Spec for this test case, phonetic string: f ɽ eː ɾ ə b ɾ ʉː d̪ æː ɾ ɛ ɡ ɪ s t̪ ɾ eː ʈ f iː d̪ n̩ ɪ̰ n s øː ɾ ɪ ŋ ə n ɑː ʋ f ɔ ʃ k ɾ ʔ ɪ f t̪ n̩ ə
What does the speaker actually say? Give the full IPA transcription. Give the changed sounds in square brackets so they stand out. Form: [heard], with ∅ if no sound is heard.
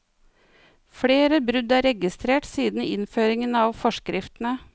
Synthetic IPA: f ɽ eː ɾ ə b ɾ [ʉ] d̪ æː ɾ ɛ ɡ ɪ s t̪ ɾ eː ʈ [s] iː d̪ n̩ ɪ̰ n [f] øː ɾ ɪ ŋ ə n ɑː ʋ f ɔ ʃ k ɾ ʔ ɪ f t̪ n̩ ə